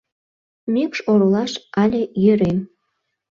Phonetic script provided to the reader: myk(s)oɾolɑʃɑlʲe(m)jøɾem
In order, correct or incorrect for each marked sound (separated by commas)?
incorrect, incorrect